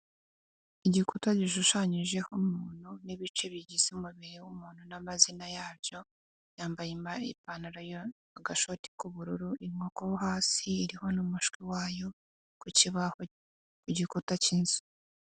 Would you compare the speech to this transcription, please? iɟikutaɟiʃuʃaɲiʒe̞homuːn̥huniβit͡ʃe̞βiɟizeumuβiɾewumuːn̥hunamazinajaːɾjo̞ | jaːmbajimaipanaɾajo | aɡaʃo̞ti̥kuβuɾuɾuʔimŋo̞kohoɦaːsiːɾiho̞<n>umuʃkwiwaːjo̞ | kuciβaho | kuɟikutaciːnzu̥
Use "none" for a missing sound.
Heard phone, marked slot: n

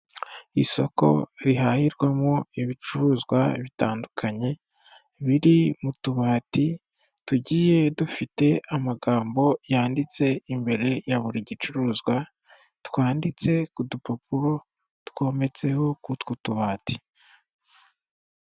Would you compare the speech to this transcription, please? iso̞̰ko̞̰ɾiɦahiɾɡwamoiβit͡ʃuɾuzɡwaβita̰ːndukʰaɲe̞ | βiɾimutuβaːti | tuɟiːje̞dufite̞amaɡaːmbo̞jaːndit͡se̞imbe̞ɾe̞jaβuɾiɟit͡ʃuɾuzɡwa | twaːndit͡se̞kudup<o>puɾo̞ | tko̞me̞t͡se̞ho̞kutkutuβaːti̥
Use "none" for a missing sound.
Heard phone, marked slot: o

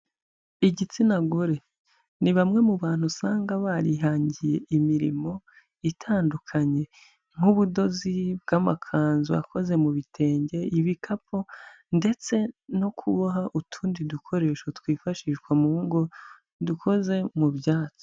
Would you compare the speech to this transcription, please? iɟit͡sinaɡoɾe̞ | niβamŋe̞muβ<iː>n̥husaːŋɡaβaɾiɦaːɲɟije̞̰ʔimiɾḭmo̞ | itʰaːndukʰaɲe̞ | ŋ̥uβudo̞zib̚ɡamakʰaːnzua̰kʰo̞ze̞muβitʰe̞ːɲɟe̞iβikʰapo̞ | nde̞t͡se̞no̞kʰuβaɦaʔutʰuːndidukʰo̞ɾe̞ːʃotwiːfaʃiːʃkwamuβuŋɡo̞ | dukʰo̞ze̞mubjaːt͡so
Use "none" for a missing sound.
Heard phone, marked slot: aː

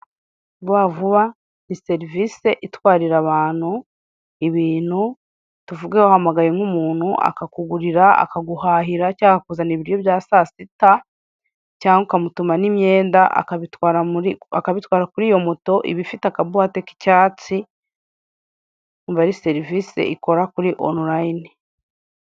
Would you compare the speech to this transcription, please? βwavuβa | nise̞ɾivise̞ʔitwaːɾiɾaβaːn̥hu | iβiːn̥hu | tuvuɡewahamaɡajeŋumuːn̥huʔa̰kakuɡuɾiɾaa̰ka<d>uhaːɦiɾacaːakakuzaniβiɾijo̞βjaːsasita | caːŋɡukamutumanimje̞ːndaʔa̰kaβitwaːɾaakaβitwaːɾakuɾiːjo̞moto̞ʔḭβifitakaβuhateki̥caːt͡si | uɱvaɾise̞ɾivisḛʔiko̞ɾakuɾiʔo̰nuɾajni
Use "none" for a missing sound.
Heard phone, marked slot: ɡ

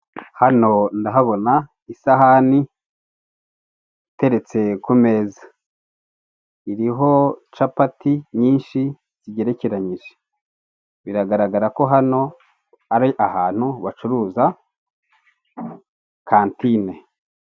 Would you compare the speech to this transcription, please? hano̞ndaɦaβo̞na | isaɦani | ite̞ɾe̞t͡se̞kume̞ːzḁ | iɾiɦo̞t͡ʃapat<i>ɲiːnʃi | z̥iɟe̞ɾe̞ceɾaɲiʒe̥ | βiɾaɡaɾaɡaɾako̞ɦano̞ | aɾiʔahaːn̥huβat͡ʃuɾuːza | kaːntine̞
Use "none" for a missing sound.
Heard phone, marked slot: i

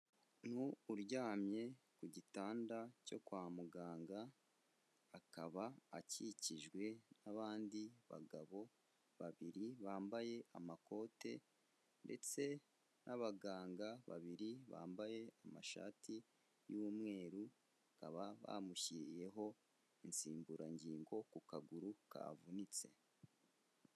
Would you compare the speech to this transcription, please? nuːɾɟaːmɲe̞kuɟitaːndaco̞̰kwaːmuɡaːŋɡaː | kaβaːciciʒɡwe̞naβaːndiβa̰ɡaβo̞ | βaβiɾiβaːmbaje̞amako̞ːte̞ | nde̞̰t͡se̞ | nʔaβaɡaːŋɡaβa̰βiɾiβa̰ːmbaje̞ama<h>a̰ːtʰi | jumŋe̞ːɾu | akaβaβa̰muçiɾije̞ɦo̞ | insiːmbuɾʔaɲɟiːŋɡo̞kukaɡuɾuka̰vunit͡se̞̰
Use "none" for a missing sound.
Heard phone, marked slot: ʃ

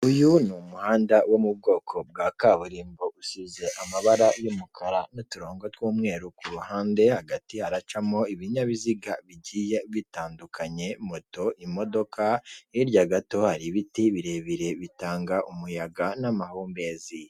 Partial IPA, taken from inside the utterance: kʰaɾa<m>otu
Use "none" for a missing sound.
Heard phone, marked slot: n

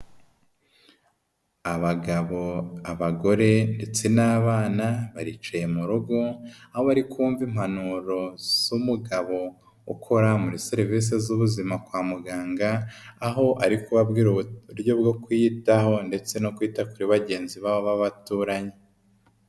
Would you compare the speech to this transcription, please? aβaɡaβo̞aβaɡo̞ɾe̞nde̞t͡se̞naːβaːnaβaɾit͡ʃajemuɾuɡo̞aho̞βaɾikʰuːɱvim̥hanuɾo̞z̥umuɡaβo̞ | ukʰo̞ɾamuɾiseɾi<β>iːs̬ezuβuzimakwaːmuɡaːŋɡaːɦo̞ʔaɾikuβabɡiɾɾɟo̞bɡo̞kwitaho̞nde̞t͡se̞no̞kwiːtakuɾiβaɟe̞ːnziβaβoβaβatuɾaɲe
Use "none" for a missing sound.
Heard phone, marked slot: v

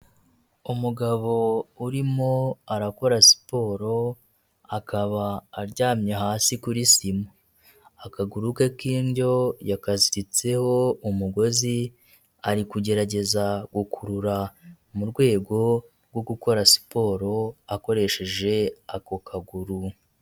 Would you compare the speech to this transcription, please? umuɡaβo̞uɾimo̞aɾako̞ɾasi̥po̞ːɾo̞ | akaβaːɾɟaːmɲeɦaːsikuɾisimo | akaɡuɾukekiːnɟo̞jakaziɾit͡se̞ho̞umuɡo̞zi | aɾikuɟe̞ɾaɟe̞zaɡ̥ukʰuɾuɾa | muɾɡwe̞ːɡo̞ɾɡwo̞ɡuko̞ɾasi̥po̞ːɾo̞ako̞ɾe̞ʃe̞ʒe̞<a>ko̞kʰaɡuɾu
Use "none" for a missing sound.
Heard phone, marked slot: a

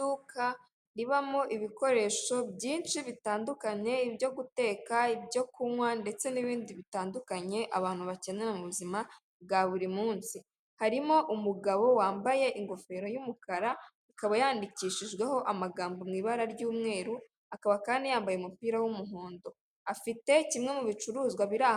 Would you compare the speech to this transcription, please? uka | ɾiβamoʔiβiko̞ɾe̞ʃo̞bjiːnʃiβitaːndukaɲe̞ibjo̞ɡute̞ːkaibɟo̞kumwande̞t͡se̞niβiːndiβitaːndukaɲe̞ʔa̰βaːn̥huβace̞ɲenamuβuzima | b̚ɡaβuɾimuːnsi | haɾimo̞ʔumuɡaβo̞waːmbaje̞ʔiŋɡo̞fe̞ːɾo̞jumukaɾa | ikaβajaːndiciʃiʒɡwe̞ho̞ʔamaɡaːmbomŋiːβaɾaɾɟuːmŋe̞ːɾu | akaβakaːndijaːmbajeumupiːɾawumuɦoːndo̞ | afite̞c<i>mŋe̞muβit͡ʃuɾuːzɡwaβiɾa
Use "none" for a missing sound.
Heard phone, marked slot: i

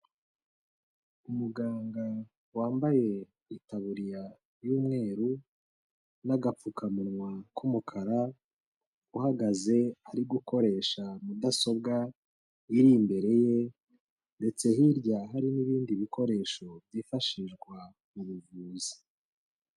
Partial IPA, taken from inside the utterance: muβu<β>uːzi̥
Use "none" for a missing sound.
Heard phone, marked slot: v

